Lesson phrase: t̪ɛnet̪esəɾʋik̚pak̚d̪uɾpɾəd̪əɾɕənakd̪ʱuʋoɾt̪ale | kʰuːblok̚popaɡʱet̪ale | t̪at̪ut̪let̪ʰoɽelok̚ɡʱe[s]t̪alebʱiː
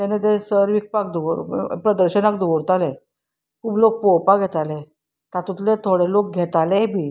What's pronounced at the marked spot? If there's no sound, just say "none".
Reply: none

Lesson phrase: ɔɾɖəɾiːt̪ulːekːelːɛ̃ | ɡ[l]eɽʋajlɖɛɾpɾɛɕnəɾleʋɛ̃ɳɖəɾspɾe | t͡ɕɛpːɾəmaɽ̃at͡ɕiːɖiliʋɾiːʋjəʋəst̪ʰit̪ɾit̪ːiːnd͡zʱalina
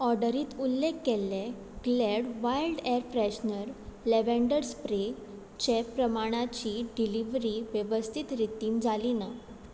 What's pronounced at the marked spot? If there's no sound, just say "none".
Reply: l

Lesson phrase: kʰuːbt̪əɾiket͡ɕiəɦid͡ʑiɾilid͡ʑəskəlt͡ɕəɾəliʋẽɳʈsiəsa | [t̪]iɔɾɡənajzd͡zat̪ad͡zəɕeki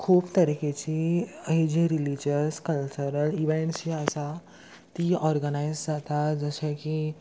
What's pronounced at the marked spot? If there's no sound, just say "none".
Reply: t̪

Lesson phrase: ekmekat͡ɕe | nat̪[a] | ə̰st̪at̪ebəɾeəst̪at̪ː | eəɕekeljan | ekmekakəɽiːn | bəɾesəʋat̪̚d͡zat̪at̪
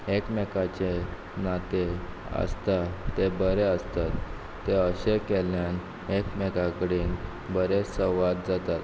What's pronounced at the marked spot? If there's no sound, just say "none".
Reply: e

